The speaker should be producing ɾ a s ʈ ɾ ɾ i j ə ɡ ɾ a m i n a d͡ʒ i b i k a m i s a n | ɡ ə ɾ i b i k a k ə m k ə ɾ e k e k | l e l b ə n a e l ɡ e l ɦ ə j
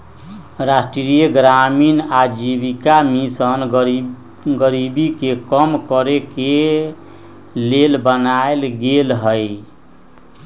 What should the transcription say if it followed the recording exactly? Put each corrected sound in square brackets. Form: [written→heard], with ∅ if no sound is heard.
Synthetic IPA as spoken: ɾ a s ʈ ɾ ɾ i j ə ɡ ɾ a m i n a d͡ʒ i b i k a m i s [a→ə] n | ɡ ə ɾ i b i k [a→e] k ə m k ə ɾ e k e [k→∅] | l e l b ə n a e l ɡ e l ɦ ə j